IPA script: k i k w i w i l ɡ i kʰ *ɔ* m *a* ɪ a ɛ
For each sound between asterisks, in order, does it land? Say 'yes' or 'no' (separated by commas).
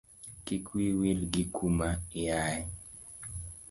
no, yes